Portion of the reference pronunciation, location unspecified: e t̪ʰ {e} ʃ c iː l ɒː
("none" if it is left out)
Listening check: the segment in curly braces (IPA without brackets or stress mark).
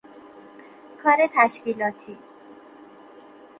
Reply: æ